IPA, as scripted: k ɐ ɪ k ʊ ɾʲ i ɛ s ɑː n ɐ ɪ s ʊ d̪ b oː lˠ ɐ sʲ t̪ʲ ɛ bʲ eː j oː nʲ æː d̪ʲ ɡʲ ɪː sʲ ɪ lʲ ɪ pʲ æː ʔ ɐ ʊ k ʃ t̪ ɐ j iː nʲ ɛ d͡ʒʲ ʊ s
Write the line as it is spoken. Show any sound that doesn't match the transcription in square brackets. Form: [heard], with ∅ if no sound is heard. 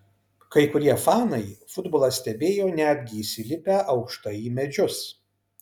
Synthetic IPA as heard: k ɐ ɪ k ʊ ɾʲ i ɛ [f] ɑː n ɐ ɪ [f] ʊ d̪ b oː lˠ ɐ sʲ t̪ʲ ɛ bʲ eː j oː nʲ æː d̪ʲ ɡʲ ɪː sʲ ɪ lʲ ɪ pʲ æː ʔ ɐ ʊ k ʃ t̪ ɐ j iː [mʲ] ɛ d͡ʒʲ ʊ s